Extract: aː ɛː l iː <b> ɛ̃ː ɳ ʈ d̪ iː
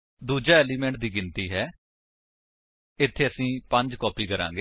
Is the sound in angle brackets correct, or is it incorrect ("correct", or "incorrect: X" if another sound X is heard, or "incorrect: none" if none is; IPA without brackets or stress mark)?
incorrect: m